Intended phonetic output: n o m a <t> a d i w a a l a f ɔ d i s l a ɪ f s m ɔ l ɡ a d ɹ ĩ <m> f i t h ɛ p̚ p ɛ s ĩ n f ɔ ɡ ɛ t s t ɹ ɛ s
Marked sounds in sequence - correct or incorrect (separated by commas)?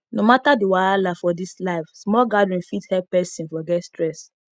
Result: correct, incorrect